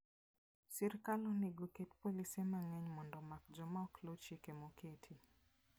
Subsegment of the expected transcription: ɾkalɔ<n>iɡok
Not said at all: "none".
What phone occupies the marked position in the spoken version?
n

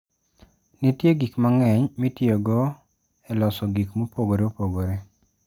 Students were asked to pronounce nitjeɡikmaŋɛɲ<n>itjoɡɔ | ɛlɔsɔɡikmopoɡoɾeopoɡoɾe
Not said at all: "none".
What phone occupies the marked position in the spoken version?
m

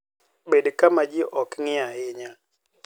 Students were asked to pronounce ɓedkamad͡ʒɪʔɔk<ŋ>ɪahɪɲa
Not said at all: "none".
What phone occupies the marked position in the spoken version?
ŋ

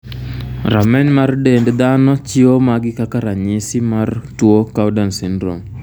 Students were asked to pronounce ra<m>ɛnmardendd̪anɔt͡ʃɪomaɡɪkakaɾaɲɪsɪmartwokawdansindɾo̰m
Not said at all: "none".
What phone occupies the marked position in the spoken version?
m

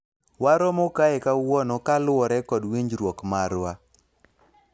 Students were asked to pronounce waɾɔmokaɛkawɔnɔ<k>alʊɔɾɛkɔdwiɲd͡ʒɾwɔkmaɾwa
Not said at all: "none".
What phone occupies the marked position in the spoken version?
k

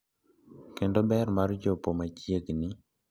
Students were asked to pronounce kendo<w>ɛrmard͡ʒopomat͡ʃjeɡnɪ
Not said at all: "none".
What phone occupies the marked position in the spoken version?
b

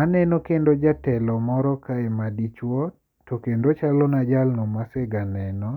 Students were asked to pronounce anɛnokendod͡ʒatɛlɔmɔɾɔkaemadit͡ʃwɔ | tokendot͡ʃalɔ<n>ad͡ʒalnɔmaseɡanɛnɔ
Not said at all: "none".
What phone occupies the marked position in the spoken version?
n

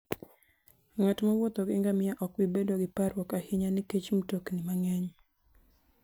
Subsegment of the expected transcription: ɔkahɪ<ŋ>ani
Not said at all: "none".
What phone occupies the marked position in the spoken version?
ɲ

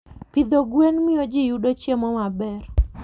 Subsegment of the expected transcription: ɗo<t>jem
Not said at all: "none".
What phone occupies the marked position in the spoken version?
t͡ʃ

